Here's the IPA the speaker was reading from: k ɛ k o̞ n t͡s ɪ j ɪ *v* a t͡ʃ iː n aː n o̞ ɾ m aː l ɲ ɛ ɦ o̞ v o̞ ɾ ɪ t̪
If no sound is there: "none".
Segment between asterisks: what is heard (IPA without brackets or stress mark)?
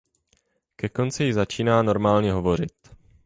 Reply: z